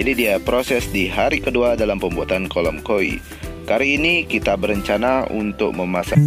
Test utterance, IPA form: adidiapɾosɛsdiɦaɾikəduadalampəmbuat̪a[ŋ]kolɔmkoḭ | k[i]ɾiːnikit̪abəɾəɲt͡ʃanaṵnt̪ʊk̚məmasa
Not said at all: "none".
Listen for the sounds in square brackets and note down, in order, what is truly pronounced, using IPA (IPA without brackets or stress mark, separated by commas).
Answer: n, a